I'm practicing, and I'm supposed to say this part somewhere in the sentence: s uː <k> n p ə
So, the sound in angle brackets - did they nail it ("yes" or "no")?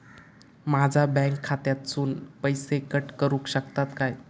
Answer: no